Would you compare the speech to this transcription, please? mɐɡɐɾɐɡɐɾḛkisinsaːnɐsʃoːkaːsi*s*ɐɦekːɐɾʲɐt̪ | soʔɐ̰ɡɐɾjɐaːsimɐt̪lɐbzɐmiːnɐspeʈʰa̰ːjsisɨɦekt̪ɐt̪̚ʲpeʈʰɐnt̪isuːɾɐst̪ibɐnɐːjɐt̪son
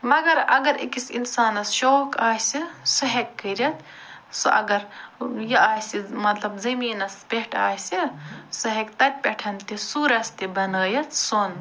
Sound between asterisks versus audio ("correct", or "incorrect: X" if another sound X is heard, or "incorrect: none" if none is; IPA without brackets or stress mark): correct